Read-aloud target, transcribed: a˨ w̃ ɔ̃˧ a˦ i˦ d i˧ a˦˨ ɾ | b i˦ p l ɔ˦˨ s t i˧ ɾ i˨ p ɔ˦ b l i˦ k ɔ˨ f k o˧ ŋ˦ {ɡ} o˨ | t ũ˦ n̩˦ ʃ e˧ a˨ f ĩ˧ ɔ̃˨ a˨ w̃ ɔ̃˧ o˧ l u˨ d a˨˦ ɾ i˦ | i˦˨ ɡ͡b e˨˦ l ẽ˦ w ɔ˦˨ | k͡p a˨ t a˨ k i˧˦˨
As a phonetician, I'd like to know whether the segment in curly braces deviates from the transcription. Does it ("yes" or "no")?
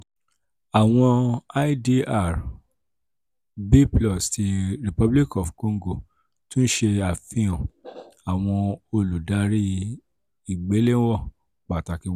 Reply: no